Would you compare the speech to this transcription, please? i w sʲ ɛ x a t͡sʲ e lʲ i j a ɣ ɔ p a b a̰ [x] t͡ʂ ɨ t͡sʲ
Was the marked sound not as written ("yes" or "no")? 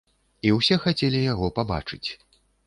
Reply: yes